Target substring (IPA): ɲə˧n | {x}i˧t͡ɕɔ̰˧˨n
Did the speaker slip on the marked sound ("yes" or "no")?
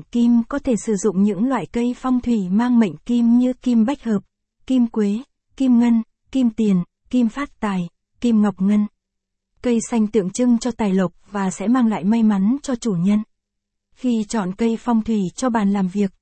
no